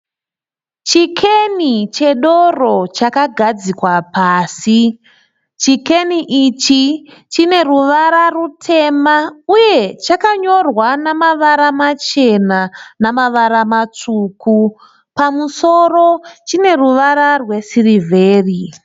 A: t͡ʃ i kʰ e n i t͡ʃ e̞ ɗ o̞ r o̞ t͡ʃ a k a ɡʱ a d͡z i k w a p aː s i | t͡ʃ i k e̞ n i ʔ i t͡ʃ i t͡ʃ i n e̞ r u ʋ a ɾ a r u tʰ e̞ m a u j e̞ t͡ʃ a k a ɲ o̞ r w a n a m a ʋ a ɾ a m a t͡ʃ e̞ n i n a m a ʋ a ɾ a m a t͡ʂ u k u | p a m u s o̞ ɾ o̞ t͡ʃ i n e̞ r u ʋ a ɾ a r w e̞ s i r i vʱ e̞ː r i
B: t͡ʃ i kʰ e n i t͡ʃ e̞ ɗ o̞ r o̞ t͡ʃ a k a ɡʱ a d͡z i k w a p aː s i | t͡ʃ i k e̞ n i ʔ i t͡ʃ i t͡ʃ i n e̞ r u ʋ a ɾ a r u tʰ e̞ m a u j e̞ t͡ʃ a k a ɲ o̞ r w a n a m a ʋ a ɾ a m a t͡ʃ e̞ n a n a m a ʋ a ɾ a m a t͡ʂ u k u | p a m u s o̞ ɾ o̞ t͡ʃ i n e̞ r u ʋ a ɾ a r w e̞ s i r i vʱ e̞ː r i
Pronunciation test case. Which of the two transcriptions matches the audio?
B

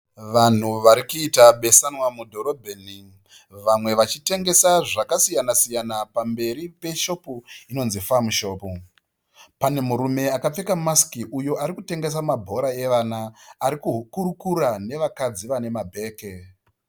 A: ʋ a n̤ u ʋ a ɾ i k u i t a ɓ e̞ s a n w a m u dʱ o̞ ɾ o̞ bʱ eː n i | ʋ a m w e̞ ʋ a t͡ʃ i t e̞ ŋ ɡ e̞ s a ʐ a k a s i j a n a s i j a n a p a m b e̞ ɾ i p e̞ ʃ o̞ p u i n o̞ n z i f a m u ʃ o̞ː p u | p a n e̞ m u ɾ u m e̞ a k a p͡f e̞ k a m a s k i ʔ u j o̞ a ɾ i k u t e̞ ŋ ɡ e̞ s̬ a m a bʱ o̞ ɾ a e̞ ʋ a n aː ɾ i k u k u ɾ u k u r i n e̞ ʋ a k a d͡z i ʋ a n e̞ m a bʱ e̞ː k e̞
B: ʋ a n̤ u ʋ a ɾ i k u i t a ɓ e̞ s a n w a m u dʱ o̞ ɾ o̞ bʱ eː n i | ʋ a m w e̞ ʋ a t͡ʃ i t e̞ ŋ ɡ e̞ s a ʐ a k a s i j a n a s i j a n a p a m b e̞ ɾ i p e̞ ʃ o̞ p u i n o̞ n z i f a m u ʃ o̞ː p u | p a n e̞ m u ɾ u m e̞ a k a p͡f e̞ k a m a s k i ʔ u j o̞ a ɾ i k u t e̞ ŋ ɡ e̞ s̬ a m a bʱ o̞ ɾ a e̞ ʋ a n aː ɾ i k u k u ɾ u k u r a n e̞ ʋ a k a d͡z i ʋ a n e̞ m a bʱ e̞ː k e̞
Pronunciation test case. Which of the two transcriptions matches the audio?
B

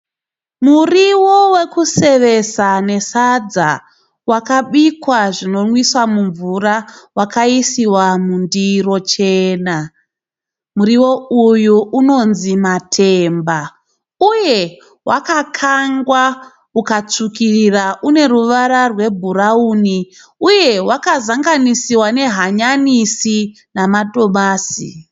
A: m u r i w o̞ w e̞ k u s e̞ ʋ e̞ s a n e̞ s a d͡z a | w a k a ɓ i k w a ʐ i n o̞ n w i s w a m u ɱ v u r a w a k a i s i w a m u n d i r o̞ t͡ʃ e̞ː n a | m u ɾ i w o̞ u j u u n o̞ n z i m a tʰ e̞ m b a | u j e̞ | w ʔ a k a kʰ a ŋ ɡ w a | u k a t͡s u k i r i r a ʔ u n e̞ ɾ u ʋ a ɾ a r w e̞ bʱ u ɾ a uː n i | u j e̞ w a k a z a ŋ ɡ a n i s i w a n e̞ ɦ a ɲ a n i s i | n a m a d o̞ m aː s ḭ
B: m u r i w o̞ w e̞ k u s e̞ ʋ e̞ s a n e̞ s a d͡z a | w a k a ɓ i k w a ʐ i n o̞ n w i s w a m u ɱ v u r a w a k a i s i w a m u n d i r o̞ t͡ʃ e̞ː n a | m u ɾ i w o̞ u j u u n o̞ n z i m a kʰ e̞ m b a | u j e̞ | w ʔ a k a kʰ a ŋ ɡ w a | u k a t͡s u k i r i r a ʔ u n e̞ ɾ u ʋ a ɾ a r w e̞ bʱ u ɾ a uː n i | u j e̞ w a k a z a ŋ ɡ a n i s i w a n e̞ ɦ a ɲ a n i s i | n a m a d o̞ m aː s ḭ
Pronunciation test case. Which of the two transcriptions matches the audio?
A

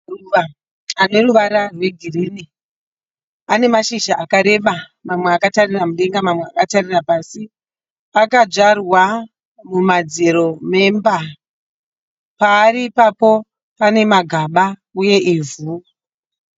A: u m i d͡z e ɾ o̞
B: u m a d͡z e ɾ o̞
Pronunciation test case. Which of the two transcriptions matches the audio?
B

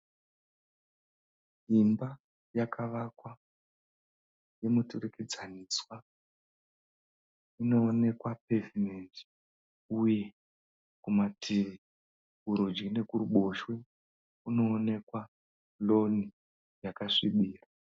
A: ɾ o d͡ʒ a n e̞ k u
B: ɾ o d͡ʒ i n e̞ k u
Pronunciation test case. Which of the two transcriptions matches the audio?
B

